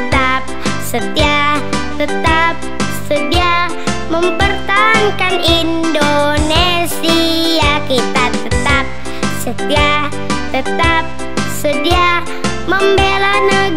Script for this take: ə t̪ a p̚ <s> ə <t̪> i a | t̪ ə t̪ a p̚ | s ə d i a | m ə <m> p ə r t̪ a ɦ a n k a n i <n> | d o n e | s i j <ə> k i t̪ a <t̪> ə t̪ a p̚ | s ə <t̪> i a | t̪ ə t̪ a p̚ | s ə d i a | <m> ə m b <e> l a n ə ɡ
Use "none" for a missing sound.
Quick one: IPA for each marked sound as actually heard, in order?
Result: s, t̪, m, n, a, t̪, t̪, m, e

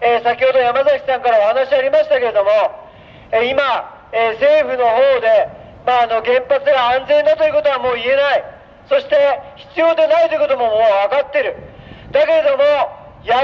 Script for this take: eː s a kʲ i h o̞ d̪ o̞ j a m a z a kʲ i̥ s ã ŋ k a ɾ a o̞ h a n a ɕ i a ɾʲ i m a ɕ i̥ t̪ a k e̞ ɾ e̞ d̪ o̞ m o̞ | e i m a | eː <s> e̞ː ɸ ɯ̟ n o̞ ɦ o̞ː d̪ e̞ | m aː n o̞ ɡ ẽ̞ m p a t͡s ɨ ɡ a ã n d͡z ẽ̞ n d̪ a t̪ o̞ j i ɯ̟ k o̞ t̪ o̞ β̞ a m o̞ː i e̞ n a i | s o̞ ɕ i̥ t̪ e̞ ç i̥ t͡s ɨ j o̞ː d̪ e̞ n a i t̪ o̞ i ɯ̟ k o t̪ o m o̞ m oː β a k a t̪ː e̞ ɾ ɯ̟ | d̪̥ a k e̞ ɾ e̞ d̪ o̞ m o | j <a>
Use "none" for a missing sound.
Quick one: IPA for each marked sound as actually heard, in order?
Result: s, a

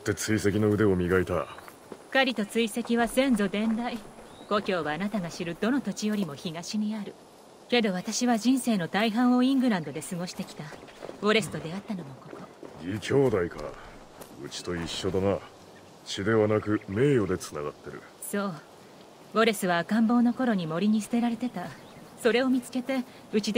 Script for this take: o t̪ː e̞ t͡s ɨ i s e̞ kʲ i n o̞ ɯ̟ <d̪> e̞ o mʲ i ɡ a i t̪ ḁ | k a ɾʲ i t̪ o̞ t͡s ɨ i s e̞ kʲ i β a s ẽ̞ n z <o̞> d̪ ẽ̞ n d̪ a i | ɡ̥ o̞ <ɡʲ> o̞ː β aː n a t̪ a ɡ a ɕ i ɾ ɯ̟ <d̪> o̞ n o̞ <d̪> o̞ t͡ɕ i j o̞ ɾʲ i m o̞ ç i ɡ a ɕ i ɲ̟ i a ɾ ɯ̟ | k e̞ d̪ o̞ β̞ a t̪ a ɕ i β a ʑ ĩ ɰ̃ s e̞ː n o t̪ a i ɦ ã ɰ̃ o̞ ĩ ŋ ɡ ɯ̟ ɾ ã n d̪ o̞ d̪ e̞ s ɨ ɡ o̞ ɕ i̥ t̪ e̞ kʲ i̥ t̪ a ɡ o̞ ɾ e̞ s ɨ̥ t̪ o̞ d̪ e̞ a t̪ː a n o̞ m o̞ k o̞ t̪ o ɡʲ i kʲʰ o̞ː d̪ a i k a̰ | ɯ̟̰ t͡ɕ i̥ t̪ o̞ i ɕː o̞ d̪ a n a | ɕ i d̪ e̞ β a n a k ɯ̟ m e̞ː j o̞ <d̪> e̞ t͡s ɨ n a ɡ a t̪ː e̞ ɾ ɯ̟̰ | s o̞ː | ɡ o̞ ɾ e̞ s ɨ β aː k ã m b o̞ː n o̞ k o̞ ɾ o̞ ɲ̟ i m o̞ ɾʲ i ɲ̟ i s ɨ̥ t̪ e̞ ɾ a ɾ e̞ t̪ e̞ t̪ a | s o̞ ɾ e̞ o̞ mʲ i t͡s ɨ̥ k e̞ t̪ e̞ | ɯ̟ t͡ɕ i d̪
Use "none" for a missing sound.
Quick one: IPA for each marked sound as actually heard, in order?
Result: d̪, o̞, kʲ, d̪, t̪, d̪

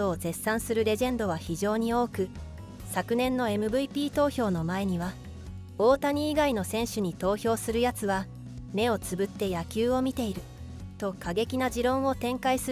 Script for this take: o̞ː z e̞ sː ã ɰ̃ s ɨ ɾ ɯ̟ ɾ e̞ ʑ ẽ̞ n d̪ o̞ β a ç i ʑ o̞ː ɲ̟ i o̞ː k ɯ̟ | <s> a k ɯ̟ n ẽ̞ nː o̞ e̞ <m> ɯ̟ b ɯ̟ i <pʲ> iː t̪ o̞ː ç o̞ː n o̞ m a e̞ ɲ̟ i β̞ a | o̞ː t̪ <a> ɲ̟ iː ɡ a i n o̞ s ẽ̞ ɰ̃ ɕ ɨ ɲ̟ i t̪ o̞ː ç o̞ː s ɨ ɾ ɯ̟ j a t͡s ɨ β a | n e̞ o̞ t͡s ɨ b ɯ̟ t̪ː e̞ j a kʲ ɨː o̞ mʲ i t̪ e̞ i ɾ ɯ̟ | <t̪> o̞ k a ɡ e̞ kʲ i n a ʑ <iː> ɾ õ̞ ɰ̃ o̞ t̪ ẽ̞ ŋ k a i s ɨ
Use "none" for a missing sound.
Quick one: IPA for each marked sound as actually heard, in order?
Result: s, m, pʲ, a, t̪, i

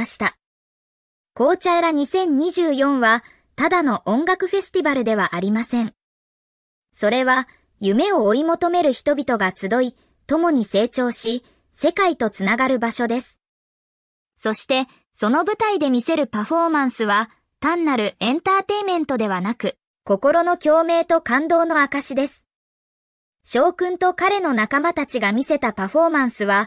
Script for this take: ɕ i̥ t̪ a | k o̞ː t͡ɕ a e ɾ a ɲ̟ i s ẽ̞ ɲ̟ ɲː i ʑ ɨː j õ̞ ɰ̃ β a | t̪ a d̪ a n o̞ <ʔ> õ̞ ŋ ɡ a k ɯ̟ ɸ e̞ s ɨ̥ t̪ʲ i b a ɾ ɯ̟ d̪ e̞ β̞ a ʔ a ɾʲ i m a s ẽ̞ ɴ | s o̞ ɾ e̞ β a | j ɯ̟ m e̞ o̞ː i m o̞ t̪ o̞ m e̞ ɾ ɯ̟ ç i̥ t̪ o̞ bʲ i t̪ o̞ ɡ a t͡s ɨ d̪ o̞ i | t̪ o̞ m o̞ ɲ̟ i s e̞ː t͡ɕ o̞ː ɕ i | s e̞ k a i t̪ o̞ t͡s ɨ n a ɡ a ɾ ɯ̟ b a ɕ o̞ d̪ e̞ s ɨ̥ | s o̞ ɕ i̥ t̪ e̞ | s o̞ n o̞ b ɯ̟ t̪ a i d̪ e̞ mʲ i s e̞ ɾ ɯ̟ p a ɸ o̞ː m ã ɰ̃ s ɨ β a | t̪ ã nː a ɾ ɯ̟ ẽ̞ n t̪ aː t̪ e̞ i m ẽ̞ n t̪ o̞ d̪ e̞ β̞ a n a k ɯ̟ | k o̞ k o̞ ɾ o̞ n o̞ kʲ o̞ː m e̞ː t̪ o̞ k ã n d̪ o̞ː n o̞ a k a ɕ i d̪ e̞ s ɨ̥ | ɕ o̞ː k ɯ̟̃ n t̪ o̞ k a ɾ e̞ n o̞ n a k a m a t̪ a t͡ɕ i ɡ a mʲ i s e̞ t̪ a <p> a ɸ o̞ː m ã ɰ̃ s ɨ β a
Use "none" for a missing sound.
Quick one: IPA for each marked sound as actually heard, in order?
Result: ʔ, p

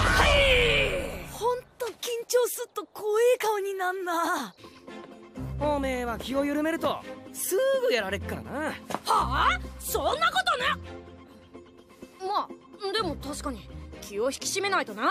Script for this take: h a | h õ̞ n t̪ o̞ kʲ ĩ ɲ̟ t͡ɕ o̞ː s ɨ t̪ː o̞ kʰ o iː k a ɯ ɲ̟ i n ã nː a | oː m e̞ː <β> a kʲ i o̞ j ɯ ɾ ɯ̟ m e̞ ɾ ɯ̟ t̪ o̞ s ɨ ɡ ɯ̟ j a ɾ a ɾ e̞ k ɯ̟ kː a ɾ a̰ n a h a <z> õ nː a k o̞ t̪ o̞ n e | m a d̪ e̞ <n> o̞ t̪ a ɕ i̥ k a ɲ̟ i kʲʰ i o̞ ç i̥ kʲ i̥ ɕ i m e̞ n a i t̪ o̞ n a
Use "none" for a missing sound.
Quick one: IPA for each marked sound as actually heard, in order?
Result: β, s, m

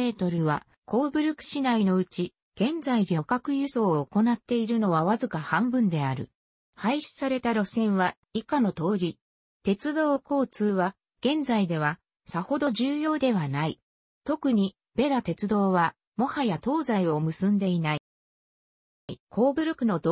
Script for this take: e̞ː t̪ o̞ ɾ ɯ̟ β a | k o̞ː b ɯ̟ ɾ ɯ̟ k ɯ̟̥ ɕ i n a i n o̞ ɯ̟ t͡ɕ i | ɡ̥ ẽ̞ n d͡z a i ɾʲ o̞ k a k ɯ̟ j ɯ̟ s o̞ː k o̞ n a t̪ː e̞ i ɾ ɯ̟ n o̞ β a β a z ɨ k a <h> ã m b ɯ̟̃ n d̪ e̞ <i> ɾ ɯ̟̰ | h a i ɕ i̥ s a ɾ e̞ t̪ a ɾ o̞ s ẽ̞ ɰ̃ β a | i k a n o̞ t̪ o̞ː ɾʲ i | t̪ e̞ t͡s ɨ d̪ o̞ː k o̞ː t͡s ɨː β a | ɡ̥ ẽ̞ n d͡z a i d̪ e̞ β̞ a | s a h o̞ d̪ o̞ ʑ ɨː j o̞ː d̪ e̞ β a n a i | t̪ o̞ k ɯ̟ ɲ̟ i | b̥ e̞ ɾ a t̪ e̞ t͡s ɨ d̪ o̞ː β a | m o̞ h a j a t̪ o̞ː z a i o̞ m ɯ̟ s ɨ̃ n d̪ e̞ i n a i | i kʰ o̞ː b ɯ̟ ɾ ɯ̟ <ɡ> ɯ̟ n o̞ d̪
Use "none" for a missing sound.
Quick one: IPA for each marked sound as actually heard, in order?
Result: h, a, k

